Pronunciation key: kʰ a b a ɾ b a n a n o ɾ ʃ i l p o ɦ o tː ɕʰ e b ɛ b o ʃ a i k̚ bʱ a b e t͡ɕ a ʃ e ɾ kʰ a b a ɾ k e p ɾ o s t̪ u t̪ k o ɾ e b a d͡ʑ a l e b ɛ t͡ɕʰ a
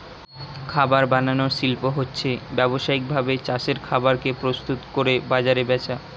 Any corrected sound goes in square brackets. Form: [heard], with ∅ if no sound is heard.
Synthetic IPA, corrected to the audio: kʰ a b a ɾ b a n a n o ɾ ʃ i l p o ɦ o tː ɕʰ e b ɛ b o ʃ a i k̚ bʱ a b e t͡ɕ a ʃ e ɾ kʰ a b a ɾ k e p ɾ o s t̪ u t̪ k o ɾ e b a d͡ʑ a [ɾ] e b ɛ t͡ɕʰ a